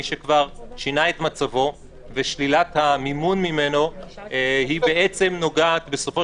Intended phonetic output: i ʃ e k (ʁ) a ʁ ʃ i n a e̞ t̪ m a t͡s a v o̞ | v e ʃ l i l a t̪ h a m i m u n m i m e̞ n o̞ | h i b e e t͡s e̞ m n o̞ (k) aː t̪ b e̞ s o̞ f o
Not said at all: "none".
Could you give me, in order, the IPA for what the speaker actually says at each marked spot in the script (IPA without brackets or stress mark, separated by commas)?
v, ɡ